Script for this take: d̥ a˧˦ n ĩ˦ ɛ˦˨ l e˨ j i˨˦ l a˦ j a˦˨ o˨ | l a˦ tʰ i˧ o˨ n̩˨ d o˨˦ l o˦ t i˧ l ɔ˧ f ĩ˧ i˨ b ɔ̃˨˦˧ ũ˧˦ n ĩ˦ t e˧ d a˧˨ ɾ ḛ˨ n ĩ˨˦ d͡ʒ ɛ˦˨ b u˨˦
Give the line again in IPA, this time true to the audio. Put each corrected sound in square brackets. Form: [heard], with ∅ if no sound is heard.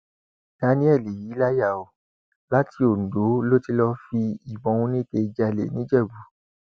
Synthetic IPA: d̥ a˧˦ n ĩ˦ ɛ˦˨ l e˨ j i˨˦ l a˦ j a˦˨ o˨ | l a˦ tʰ i˧ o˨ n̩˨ d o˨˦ l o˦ t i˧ l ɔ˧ f [i˧] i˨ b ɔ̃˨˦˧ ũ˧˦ n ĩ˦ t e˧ [d͡ʒ] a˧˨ [l] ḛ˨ n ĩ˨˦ d͡ʒ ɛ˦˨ b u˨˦